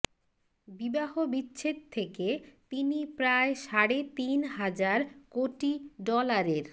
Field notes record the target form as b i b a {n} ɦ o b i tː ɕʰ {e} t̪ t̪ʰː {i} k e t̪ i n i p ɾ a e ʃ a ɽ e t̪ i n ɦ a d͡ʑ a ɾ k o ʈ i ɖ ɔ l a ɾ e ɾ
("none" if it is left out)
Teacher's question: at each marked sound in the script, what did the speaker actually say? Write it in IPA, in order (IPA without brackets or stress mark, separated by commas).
none, e, e